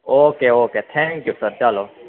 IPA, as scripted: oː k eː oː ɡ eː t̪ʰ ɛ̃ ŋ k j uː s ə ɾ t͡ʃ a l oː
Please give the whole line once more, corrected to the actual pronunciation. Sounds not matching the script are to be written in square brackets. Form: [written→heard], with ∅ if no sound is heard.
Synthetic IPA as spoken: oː k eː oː [ɡ→k] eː t̪ʰ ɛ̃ ŋ k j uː s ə ɾ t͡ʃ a l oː